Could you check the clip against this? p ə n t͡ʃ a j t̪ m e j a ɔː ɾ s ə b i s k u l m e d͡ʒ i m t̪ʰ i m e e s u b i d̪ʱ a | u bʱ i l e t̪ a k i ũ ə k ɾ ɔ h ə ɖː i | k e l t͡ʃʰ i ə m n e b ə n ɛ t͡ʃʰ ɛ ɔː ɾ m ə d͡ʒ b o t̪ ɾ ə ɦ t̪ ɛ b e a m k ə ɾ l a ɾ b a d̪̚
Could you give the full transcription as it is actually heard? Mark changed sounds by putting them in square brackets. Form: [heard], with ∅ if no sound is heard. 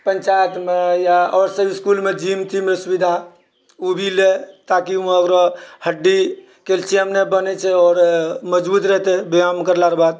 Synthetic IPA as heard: p ə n t͡ʃ a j t̪ m e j a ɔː ɾ s ə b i s k u l m e d͡ʒ i m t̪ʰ i m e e s u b i d̪ʱ a | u bʱ i l e t̪ a k i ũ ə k ɾ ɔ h ə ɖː i | k e l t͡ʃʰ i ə m n e b ə n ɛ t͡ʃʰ ɛ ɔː ɾ m ə d͡ʒ b [u] t̪ ɾ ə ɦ t̪ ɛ b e a m k ə ɾ l a ɾ b a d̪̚